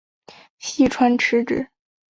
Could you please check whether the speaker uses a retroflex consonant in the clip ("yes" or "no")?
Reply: yes